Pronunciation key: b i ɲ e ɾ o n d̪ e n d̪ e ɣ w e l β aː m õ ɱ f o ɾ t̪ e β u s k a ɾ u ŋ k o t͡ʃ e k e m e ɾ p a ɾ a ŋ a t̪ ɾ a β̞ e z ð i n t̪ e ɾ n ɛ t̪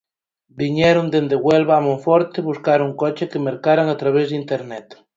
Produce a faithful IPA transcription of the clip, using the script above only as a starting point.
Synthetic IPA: b i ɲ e ɾ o n d̪ e n d̪ e ɣ w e l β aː m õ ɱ f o ɾ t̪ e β u s k a ɾ u ŋ k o t͡ʃ e k e m e ɾ k a ɾ a ŋ a t̪ ɾ a β̞ e z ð i n t̪ e ɾ n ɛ t̪